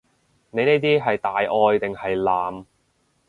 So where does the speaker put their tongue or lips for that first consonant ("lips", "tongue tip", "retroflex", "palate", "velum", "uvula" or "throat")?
tongue tip